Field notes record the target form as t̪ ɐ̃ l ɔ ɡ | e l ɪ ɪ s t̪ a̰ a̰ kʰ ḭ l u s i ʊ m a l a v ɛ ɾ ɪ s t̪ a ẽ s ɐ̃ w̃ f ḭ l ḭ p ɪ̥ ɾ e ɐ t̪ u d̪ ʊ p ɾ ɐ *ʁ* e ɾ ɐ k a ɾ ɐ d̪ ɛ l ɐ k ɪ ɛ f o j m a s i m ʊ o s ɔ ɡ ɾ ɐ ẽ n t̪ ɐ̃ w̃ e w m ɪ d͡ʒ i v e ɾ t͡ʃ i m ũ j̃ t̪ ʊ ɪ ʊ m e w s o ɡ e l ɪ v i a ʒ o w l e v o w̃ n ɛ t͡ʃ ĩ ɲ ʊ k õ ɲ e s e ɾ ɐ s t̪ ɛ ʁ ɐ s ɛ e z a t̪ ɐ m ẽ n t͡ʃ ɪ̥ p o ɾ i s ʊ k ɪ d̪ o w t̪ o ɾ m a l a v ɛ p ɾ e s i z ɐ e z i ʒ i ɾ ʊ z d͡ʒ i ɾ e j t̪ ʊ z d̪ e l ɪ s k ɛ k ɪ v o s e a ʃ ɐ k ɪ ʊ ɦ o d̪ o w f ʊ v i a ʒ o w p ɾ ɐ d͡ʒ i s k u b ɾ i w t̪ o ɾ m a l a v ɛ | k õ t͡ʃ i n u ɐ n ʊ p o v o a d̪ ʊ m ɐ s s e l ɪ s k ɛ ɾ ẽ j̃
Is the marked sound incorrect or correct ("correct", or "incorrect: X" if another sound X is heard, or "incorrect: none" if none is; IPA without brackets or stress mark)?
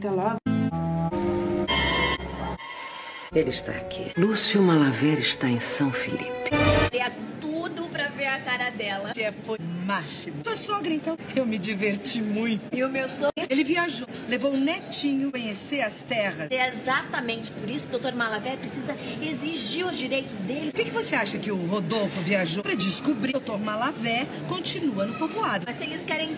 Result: incorrect: v